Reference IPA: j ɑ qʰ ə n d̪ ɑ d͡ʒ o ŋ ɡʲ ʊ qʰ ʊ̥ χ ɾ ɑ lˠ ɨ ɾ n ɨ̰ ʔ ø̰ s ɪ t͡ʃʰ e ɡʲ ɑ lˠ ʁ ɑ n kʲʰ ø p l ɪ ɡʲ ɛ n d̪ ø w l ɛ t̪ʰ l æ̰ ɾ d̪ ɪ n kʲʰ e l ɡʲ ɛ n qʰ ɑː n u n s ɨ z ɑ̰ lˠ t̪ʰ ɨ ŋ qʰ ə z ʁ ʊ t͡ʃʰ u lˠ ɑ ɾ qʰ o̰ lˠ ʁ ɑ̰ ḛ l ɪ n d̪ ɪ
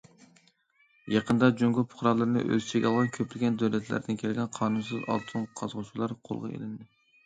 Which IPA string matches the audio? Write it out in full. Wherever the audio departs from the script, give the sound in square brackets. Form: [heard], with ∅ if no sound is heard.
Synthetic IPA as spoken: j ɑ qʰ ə n d̪ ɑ d͡ʒ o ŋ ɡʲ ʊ [pʰ] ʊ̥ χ ɾ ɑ lˠ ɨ ɾ n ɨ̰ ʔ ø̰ [z] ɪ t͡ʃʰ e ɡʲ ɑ lˠ ʁ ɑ n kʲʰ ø p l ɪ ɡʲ ɛ n d̪ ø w l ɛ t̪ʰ l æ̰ ɾ d̪ ɪ n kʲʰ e l ɡʲ ɛ n qʰ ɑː n u n s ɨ z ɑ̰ lˠ t̪ʰ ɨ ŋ qʰ [ɑ] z ʁ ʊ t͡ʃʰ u lˠ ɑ ɾ qʰ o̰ lˠ ʁ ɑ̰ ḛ l ɪ n d̪ ɪ